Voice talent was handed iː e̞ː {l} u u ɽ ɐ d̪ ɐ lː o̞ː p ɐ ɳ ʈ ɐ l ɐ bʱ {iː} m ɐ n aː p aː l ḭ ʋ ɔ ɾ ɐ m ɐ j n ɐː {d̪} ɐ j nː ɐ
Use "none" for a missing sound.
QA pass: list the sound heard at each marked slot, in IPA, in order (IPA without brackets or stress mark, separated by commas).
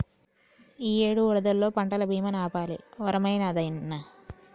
ɽ, iː, d̪